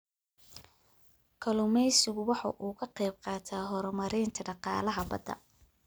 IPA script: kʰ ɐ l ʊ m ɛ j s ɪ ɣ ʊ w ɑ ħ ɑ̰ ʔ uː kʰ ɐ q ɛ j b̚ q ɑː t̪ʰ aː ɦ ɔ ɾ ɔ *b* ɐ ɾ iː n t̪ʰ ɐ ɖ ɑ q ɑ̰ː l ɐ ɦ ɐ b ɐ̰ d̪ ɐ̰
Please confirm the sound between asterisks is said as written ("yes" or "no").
no